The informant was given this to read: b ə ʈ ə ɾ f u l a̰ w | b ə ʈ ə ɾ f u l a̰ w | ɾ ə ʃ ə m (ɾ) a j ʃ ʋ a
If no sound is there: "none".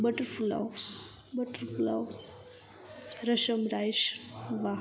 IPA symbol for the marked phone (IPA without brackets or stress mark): ɾ